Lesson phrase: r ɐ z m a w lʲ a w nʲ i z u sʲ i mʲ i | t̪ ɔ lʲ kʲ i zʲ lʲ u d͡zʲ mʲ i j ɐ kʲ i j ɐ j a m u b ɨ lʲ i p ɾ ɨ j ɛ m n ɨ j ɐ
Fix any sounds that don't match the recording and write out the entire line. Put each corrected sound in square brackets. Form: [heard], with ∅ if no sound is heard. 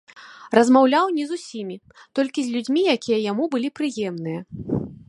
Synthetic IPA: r ɐ z m a w lʲ a w nʲ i z u sʲ i mʲ i | t̪ ɔ lʲ kʲ i zʲ lʲ u d͡zʲ mʲ i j [a] kʲ i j ɐ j a m u b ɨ lʲ i p ɾ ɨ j ɛ m n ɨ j ɐ